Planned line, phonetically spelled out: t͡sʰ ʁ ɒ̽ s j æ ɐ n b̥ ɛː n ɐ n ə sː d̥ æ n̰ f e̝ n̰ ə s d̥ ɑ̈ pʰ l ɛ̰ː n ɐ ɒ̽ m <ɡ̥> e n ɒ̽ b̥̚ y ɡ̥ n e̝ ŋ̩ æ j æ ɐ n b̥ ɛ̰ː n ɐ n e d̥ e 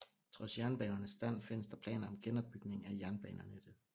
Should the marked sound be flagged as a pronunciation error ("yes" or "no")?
no